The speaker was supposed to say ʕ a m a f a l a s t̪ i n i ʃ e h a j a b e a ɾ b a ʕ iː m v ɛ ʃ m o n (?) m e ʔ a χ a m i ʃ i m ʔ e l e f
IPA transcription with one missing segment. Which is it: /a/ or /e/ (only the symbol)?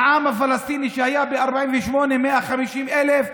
e